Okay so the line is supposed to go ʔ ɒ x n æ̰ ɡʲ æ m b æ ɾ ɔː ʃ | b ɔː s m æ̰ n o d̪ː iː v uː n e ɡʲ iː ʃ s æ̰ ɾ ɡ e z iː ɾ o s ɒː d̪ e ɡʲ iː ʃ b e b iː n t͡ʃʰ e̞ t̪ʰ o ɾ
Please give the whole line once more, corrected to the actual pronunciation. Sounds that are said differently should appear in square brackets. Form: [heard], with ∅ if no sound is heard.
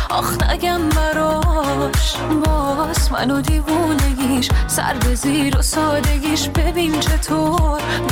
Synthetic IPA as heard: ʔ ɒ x n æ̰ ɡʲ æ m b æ ɾ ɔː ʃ | b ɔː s m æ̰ n o [d̪] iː v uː n e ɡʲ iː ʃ s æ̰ ɾ [b] e z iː ɾ o s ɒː d̪ e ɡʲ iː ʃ b e b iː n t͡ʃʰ e̞ t̪ʰ o ɾ